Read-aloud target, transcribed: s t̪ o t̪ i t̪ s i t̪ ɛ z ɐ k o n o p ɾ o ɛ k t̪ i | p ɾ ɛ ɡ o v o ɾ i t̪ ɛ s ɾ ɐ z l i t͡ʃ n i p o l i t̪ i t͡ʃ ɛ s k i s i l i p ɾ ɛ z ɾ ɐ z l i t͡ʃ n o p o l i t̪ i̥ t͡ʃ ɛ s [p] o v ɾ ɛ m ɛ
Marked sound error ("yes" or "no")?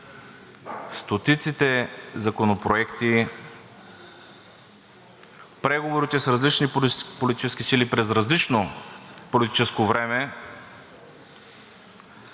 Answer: yes